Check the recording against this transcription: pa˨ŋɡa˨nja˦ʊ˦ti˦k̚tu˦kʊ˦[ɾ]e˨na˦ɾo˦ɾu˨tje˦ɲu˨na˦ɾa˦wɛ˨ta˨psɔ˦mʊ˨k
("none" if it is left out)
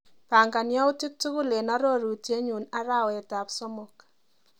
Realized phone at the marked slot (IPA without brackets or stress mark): l